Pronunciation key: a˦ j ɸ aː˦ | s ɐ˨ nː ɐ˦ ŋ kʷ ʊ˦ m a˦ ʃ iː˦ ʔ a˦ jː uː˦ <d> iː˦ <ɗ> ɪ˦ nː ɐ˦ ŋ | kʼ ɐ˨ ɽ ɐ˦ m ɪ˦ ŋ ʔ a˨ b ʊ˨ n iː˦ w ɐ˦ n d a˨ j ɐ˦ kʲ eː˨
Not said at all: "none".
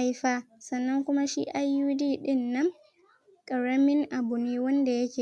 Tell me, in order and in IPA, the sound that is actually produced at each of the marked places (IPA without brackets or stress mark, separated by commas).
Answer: d, ɗ